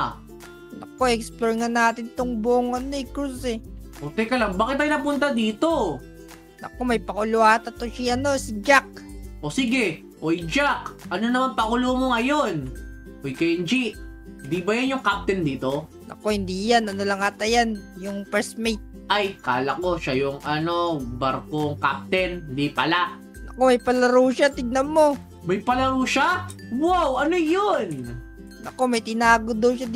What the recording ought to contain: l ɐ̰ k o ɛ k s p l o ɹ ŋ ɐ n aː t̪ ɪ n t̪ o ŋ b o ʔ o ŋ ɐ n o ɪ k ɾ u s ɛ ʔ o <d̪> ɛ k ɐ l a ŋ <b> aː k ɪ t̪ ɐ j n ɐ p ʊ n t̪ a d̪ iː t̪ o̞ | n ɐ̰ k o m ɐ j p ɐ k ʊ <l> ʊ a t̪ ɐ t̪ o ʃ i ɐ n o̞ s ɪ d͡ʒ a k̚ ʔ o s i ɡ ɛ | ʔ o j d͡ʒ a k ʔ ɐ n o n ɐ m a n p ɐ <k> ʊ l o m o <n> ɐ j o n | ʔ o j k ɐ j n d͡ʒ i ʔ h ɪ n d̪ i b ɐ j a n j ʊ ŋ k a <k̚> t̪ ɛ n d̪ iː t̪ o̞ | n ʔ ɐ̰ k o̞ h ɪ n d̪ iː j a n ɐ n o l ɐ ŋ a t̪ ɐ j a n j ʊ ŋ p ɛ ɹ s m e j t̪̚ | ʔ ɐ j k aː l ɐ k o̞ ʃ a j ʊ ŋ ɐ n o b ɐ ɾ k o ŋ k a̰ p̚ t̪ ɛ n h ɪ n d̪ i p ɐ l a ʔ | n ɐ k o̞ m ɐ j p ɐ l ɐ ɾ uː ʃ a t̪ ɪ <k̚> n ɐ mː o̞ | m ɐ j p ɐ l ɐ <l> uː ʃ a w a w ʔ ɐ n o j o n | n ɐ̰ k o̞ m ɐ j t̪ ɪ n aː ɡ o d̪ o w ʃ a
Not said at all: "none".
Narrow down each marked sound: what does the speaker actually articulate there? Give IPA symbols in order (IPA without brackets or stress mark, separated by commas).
t̪, b, l, k, ŋ, p̚, ɡ̚, ɾ